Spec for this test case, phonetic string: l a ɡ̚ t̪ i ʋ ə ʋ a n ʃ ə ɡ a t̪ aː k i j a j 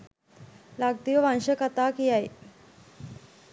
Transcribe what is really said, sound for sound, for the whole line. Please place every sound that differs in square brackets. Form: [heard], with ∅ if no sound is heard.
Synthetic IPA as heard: l a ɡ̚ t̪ i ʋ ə ʋ a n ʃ ə [k] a t̪ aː k i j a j